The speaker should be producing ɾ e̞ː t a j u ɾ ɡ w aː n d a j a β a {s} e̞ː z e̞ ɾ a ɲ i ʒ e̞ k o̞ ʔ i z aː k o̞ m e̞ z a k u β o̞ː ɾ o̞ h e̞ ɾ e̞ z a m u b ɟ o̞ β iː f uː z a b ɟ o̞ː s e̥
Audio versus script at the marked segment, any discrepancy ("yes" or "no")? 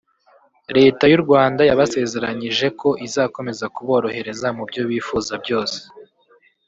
no